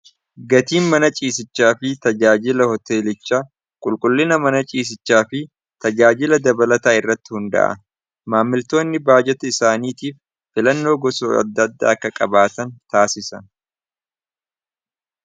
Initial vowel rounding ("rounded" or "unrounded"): unrounded